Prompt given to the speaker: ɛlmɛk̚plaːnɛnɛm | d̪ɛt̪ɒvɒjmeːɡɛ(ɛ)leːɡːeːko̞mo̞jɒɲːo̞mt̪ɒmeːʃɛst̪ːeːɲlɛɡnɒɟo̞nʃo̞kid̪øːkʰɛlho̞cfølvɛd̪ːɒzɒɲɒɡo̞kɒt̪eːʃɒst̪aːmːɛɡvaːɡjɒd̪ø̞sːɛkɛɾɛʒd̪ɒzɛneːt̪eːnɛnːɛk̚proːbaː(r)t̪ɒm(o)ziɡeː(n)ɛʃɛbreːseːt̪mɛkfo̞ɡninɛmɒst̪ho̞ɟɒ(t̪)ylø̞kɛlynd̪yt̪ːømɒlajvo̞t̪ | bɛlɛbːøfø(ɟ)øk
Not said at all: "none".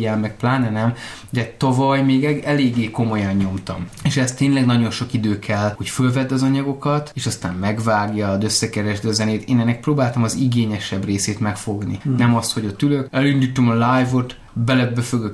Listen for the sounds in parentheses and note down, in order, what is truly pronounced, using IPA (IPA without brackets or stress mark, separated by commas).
ɛ, l, ɒ, ɲ, t̪, ɡ